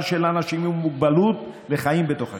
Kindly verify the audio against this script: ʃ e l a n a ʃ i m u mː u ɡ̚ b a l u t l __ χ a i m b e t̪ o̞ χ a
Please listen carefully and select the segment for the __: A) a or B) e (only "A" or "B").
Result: B